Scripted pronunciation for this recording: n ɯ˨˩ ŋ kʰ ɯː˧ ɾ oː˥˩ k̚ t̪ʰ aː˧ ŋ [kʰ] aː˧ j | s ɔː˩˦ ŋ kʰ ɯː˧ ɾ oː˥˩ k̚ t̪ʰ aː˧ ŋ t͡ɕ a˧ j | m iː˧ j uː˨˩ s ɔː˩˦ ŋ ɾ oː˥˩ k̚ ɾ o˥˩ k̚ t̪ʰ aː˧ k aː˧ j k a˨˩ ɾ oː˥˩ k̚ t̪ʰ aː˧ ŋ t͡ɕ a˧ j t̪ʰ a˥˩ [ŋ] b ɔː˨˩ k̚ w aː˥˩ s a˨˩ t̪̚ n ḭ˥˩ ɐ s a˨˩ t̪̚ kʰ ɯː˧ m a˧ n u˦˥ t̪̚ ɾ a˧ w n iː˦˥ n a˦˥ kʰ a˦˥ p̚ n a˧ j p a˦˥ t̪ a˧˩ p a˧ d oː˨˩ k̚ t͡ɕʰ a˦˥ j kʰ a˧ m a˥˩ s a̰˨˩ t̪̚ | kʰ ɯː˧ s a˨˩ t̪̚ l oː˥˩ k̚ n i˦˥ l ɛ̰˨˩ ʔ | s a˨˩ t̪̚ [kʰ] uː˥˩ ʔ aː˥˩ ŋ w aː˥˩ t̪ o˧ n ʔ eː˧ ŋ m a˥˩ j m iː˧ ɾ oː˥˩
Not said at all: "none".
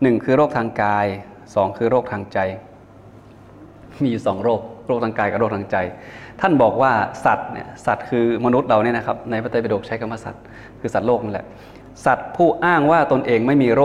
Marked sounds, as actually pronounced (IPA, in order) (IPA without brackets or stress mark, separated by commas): k, n, pʰ